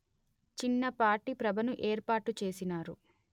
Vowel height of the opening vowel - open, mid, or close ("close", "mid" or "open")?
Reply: close